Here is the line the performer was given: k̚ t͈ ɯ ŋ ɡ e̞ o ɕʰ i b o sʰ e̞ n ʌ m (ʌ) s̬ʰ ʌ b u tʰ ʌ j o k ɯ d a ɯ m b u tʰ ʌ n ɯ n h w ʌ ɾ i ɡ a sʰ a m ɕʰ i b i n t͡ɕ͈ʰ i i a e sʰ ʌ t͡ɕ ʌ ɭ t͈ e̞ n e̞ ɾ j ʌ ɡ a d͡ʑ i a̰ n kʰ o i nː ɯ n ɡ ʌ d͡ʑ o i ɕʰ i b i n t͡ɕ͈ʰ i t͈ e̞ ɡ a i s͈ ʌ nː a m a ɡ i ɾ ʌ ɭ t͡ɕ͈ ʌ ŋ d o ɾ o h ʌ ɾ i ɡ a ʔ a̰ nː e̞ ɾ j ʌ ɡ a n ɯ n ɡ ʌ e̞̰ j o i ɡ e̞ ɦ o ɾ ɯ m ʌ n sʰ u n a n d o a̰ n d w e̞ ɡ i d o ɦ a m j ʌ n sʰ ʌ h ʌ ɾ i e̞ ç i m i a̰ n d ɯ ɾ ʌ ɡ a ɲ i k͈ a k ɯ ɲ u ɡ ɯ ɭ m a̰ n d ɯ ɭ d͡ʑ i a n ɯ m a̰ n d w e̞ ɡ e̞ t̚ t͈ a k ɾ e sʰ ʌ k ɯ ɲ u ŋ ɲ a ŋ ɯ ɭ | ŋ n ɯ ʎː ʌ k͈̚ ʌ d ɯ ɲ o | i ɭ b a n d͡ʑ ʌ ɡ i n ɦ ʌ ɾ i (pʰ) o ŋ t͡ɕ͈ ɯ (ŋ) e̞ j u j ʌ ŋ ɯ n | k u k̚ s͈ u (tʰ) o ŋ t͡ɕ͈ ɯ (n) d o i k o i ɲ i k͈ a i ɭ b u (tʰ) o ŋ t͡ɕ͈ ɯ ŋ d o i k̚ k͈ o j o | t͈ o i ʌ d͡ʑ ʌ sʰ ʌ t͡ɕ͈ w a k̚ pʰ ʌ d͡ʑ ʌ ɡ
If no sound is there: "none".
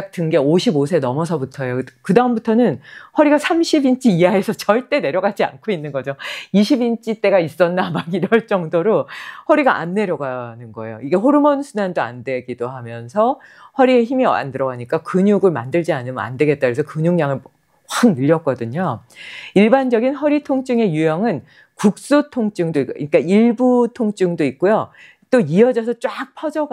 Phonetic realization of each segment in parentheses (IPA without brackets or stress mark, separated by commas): ʌ, tʰ, ŋ, tʰ, ŋ, tʰ